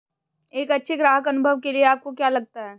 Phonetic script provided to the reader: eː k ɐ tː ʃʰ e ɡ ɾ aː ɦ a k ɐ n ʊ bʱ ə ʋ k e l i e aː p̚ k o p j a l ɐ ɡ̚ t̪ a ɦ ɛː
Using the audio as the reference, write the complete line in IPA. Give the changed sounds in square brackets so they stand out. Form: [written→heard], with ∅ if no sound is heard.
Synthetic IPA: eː k ɐ tː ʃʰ e ɡ ɾ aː ɦ [a→ə] k ɐ n ʊ bʱ ə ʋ k e l i e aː p̚ k o [p→k] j a l ɐ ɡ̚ t̪ a ɦ ɛː